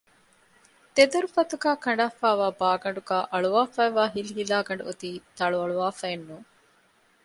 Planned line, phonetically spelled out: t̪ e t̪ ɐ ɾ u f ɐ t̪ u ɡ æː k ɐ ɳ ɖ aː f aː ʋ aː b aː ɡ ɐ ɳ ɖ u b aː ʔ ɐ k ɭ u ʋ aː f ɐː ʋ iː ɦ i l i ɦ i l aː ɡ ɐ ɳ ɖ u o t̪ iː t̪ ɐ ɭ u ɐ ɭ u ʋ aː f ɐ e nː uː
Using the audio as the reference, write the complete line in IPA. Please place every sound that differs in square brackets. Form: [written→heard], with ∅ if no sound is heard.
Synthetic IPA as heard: t̪ e [t̪→d̪] ɐ ɾ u f ɐ t̪ u ɡ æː k ɐ ɳ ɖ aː f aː ʋ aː b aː ɡ ɐ ɳ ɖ u [b→ɡ] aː ʔ ɐ [k→∅] ɭ u ʋ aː f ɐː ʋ [iː→aː] ɦ i l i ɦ i l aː ɡ ɐ ɳ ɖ u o t̪ iː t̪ ɐ ɭ u ɐ ɭ u ʋ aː f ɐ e nː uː

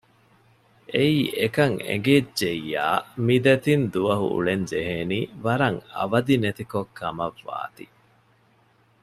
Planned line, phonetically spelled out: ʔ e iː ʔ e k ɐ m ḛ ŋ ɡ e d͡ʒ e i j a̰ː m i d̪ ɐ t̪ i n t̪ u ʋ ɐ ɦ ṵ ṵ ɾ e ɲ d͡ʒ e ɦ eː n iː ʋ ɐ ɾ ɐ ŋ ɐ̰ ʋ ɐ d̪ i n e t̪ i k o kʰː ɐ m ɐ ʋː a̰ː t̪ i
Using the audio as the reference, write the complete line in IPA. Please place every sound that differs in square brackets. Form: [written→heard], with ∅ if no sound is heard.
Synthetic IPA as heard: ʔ e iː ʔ e k ɐ [m→ŋ] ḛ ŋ ɡ e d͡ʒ e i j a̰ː m i d̪ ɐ t̪ i n [t̪→d̪] u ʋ ɐ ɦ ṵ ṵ [ɾ→ɭ] e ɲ d͡ʒ e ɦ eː n iː ʋ ɐ ɾ ɐ ŋ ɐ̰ ʋ ɐ d̪ i n e t̪ i k o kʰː ɐ m ɐ ʋː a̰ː t̪ i

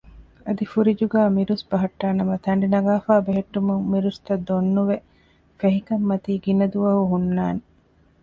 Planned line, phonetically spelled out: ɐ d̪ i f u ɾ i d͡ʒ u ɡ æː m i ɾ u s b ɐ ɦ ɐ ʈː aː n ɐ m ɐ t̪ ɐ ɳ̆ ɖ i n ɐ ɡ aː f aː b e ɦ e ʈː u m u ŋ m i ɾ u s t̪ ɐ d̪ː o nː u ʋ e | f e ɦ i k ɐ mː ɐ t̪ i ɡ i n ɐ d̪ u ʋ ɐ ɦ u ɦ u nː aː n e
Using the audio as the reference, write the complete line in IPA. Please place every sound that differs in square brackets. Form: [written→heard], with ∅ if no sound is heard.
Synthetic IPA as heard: ɐ d̪ i f u ɾ i d͡ʒ u ɡ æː m i ɾ u s b ɐ ɦ ɐ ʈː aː n ɐ m ɐ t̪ ɐ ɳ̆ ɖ i n ɐ ɡ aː f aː b e ɦ e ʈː u m u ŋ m i ɾ u s t̪ ɐ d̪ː o nː u ʋ e | f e ɦ i k ɐ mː ɐ t̪ [i→iː] ɡ i n ɐ d̪ u ʋ ɐ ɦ u ɦ u nː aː n e

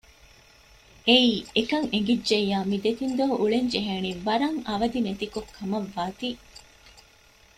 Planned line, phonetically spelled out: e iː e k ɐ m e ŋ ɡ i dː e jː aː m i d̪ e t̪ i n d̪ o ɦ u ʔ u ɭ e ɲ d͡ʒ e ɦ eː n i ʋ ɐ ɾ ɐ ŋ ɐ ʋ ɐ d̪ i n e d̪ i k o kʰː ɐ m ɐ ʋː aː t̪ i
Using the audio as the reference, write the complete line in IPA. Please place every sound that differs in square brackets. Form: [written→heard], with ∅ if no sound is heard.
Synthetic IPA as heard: e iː e k ɐ [m→ŋ] e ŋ ɡ i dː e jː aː m i d̪ e t̪ i n d̪ o ɦ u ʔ u ɭ e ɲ d͡ʒ e ɦ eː n i ʋ ɐ ɾ ɐ ŋ ɐ ʋ ɐ d̪ i n e [d̪→t̪] i k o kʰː ɐ m ɐ ʋː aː t̪ i

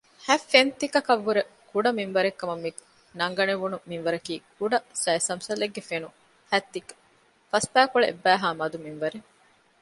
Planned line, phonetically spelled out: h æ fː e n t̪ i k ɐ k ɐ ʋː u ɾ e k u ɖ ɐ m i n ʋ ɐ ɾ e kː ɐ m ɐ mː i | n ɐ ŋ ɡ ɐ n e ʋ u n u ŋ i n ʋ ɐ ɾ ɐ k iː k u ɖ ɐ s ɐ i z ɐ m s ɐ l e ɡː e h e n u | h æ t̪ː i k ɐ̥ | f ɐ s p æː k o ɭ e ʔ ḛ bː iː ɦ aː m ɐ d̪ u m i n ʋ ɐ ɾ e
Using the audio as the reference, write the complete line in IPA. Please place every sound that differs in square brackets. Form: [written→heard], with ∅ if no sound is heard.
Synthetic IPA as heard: h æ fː e n t̪ i k ɐ k ɐ ʋː u ɾ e k u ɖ ɐ m i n ʋ ɐ ɾ e kː ɐ m ɐ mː i | n ɐ ŋ ɡ ɐ n e ʋ u n u [ŋ→m] i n ʋ ɐ ɾ ɐ k iː k u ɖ ɐ s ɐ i [z→s] ɐ m s ɐ l e ɡː e [h→f] e n u | h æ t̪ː i k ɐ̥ | f ɐ s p æː k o ɭ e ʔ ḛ bː [iː→æː] ɦ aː m ɐ d̪ u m i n ʋ ɐ ɾ e

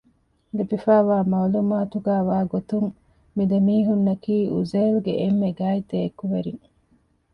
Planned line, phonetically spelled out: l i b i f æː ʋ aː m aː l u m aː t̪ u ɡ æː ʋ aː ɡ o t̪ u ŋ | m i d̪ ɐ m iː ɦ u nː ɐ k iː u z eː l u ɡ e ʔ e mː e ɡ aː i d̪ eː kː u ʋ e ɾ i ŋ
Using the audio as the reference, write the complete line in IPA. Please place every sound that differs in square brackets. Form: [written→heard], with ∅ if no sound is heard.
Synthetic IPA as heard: l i b i f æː ʋ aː m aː l u m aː t̪ u ɡ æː ʋ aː ɡ o t̪ u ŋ | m i d̪ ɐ m iː ɦ u nː ɐ k iː u z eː l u ɡ e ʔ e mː e ɡ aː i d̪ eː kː u ʋ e ɾ i ŋ

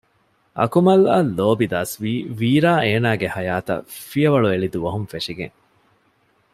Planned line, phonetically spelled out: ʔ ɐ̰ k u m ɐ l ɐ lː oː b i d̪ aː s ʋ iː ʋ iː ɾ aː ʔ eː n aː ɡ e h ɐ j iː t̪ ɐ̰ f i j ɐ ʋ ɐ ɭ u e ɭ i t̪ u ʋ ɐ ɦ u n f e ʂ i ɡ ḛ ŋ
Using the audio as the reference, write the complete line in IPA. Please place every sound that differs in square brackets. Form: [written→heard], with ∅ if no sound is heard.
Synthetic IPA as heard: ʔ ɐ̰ k u m ɐ l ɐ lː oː b i d̪ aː s ʋ iː ʋ iː ɾ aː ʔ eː n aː ɡ e h ɐ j [iː→aː] t̪ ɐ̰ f i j ɐ ʋ ɐ ɭ u e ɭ i [t̪→d̪] u ʋ ɐ ɦ u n f e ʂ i ɡ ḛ ŋ

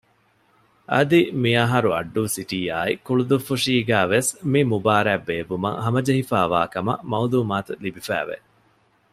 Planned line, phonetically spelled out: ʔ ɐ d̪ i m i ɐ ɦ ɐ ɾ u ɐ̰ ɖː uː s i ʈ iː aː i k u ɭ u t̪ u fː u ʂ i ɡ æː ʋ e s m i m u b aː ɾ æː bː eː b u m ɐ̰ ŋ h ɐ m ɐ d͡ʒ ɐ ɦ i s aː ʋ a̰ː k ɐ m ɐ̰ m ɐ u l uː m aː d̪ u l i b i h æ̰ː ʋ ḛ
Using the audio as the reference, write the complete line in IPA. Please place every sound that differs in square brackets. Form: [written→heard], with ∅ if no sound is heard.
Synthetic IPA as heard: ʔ ɐ d̪ i m i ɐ ɦ ɐ ɾ u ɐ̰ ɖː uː s i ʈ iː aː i k u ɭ u [t̪→d̪] u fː u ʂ [i→iː] ɡ æː ʋ e s m i m u b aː ɾ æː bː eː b u m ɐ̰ ŋ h ɐ m ɐ d͡ʒ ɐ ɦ i [s→f] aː ʋ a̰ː k ɐ m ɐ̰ m ɐ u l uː m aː [d̪→t̪] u l i b i [h→f] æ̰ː ʋ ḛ

